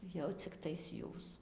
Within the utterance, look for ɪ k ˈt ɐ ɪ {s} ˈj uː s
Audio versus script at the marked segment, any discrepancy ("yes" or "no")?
no